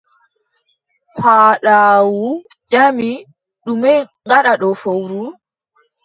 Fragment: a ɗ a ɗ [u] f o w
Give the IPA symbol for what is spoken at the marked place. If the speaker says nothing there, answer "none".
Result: ɔ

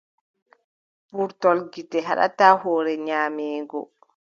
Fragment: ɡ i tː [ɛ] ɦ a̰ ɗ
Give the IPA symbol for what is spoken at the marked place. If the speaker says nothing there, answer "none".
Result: ɛ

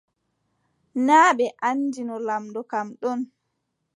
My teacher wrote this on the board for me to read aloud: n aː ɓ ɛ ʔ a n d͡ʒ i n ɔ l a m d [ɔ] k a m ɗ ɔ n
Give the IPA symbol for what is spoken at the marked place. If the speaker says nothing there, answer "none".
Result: ɔ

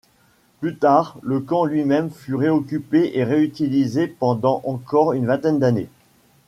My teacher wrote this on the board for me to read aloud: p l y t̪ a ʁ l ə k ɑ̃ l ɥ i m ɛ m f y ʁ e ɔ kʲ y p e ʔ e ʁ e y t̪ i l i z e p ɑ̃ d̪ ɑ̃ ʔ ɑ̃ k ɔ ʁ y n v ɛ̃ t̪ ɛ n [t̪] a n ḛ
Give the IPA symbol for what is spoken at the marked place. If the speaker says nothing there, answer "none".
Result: d̪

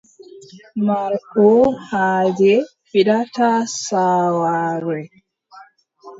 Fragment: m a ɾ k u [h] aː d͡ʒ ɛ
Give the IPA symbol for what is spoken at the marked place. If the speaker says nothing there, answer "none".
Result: h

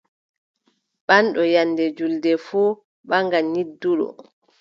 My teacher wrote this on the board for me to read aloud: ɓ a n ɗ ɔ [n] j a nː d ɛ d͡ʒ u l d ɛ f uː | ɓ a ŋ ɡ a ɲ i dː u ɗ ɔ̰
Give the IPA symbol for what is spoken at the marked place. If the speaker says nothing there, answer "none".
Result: none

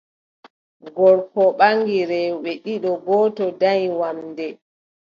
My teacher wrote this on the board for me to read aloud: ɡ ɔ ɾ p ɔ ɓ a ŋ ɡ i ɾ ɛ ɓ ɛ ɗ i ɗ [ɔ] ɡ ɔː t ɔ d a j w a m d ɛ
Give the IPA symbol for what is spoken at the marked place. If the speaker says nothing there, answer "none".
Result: ɔ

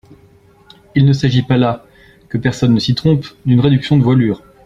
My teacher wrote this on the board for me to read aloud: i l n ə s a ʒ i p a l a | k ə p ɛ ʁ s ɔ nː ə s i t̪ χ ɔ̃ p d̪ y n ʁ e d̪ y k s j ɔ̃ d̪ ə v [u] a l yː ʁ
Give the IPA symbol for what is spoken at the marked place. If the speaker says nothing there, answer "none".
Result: w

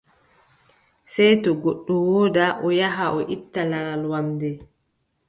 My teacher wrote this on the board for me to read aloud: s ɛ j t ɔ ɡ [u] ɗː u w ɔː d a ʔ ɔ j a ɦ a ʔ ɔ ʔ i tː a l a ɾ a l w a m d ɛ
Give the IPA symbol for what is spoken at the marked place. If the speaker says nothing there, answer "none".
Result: o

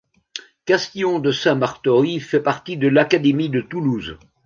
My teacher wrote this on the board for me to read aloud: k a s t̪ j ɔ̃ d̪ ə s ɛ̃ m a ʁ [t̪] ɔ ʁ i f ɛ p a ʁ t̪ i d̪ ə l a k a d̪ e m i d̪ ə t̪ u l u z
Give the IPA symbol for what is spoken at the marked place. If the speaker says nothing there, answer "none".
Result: t̪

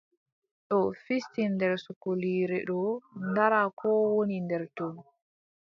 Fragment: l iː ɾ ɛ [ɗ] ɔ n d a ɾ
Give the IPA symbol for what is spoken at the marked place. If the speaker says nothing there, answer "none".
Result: ɗ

